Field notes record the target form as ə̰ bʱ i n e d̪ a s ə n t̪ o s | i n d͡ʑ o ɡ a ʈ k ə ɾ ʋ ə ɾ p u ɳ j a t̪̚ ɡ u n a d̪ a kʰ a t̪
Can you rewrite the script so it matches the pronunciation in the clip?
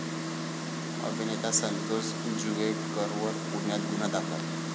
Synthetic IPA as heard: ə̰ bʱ i n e t̪ a s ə n t̪ o s | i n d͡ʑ u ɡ e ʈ k ə ɾ ʋ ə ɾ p u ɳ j a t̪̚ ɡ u n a d̪ a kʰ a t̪